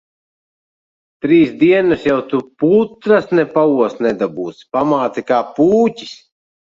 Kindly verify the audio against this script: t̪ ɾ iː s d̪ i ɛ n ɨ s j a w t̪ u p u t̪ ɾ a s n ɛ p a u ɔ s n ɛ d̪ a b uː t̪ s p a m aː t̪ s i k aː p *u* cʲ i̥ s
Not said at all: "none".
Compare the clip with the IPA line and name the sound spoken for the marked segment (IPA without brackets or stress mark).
uː